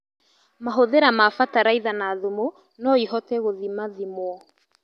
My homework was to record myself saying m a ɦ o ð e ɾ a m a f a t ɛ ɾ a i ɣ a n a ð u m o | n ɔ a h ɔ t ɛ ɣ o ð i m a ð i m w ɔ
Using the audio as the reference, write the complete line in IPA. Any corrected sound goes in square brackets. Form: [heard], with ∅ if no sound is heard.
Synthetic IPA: m a ɦ o ð e ɾ a m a f a t [a] ɾ a i [ð] a n a ð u m o | n ɔ [i] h ɔ t ɛ ɣ o ð i m a ð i m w ɔ